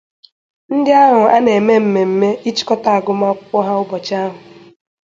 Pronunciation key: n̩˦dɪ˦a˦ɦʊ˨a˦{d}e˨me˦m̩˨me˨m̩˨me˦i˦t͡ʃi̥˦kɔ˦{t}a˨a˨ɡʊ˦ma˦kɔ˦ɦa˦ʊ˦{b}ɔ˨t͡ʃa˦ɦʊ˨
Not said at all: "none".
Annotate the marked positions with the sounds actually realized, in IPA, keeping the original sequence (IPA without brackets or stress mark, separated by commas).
n, t, b